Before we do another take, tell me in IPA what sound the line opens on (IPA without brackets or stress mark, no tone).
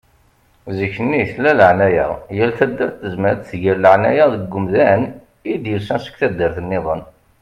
z